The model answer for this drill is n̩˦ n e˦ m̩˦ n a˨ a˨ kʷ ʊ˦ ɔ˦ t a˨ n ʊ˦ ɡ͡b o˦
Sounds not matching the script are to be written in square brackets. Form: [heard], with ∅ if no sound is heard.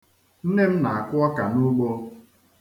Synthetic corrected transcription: n̩˦ n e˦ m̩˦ n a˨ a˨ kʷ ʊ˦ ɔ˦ [k] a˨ n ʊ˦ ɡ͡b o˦